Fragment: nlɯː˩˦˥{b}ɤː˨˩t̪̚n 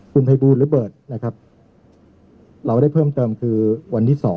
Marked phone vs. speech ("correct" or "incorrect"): correct